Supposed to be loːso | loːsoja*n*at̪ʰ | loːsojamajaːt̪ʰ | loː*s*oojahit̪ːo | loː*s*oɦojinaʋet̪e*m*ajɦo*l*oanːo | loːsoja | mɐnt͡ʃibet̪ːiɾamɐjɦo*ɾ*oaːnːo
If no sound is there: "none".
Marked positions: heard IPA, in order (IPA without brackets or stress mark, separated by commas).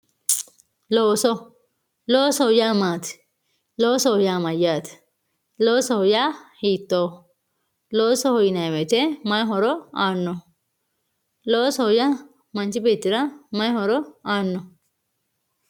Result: m, s, s, m, ɾ, ɾ